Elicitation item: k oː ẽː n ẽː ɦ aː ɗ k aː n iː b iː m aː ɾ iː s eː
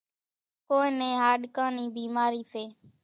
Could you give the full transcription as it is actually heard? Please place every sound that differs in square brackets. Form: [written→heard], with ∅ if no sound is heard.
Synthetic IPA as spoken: k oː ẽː n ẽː ɦ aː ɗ k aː n iː b iː m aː ɾ iː s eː